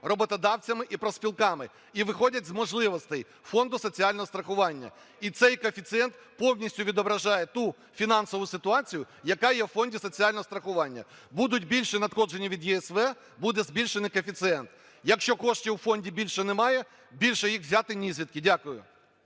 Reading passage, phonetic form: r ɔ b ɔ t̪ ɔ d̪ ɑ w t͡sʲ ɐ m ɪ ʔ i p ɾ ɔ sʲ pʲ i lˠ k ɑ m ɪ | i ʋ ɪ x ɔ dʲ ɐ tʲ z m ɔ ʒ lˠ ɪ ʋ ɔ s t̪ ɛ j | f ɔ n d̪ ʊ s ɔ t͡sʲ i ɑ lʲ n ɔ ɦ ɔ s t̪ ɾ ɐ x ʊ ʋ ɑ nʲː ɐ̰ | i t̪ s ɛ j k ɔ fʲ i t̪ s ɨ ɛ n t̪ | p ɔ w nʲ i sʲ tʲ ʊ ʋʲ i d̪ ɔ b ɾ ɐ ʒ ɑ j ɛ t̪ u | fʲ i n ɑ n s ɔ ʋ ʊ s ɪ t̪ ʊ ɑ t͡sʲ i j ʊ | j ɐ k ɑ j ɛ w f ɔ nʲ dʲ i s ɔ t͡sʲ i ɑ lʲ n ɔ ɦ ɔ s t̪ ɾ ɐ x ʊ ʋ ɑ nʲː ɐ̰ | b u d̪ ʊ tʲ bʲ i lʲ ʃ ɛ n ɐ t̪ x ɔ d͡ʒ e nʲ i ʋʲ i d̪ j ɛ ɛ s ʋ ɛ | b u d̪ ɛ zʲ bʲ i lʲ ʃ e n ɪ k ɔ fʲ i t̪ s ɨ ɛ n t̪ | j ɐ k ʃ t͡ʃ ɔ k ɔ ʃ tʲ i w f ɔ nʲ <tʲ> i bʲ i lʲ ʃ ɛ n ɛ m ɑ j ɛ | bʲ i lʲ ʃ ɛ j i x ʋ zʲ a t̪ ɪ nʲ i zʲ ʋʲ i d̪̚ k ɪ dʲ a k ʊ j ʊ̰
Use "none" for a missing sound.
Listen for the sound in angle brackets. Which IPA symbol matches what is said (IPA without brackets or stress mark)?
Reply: dʲ